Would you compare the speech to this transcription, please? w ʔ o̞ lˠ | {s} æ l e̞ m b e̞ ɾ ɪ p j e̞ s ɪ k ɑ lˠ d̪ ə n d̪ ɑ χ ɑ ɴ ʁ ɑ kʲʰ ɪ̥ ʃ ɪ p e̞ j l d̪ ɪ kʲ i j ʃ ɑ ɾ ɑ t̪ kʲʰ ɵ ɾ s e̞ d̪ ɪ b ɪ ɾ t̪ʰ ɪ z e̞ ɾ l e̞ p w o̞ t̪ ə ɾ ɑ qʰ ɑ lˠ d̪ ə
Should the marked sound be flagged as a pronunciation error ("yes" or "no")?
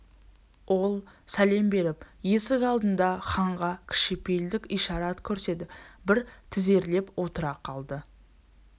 no